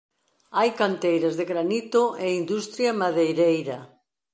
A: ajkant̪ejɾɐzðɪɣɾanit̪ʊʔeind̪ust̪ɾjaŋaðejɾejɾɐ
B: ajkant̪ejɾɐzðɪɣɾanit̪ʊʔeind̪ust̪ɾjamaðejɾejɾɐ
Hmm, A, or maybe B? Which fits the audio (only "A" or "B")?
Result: B